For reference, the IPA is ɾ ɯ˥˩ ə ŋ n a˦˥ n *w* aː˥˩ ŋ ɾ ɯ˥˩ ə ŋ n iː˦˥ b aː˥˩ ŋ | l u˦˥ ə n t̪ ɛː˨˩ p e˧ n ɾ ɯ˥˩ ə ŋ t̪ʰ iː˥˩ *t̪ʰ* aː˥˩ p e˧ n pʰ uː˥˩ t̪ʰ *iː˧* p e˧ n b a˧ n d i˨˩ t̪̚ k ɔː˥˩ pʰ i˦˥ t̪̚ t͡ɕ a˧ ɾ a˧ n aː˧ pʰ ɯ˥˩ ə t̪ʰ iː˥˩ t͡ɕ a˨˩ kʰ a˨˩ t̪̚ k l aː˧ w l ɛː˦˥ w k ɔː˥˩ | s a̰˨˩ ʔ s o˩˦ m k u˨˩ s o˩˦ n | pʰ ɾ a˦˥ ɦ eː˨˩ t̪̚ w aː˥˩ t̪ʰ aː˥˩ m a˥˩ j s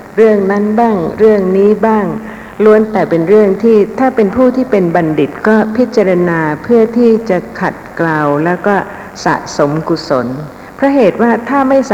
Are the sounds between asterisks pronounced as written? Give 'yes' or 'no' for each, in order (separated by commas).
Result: no, yes, no